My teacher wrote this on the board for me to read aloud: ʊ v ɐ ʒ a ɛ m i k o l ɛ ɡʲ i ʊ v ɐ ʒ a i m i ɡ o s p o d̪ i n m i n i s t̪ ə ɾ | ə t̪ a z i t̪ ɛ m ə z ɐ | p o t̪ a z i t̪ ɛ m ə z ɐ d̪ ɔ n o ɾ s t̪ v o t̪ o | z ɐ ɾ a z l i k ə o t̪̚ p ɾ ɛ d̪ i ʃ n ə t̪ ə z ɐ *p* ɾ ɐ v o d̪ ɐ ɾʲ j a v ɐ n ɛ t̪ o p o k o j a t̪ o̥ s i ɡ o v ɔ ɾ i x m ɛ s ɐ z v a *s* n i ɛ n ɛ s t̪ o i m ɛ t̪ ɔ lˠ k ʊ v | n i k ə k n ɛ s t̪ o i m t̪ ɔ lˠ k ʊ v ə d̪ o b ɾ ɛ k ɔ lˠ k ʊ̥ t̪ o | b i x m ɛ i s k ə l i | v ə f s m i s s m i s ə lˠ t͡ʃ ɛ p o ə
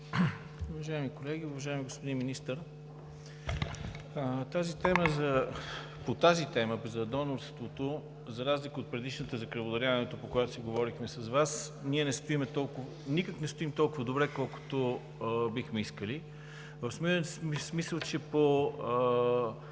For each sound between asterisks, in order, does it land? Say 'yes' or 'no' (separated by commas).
no, yes